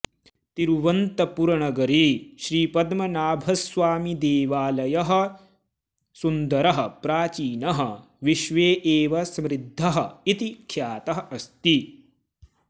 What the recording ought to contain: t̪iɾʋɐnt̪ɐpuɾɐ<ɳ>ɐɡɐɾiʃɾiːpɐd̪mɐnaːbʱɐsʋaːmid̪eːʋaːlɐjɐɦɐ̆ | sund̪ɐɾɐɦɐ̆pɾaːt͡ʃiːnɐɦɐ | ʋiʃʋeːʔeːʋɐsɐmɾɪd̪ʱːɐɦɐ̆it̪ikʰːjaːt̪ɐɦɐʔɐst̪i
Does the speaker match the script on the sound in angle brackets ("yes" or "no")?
yes